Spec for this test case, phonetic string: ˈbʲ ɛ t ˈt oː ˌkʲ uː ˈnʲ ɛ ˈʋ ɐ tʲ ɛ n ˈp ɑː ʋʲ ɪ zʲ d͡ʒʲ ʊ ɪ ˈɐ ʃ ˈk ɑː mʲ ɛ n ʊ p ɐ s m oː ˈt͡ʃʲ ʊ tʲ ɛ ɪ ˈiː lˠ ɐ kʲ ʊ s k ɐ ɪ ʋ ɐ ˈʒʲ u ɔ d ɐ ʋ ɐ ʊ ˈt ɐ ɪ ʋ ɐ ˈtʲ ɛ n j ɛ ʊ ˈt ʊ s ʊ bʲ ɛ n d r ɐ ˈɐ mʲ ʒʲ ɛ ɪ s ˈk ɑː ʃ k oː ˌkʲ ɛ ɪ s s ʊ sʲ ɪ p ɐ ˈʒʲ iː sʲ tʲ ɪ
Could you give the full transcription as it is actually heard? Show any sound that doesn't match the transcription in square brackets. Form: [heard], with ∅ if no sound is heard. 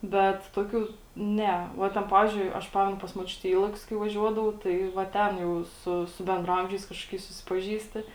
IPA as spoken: ˈbʲ ɛ t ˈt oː ˌkʲ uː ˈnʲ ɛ ˈʋ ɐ tʲ ɛ n ˈp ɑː ʋʲ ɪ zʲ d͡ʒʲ ʊ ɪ ˈɐ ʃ [ˈp] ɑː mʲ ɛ n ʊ p ɐ s m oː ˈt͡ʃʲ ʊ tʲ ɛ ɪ ˈiː lˠ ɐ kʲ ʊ s k ɐ ɪ ʋ ɐ ˈʒʲ u ɔ d ɐ ʋ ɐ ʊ ˈt ɐ ɪ ʋ ɐ ˈtʲ ɛ n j ɛ ʊ [ˈs] ʊ s ʊ bʲ ɛ n d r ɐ ˈɐ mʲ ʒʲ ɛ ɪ s ˈk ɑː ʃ k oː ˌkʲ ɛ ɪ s s ʊ sʲ ɪ p ɐ ˈʒʲ iː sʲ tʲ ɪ